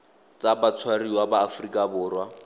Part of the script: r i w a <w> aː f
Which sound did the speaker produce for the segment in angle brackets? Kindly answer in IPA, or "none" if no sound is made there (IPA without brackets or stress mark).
b